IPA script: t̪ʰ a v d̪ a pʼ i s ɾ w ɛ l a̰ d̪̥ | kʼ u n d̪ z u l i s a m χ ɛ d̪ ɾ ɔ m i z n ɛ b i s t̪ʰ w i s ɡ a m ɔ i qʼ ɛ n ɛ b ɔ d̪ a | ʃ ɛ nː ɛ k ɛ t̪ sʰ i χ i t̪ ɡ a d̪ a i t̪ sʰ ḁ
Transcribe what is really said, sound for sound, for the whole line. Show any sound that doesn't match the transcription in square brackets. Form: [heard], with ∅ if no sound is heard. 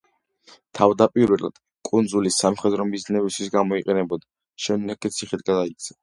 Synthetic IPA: t̪ʰ a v d̪ a pʼ i [∅] ɾ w ɛ l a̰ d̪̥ | kʼ u n d̪ z u l i s a m χ ɛ d̪ ɾ ɔ m i z n ɛ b i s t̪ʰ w i s ɡ a m ɔ i qʼ ɛ n ɛ b ɔ d̪ a | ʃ ɛ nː ɛ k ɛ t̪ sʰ i χ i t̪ ɡ a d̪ a i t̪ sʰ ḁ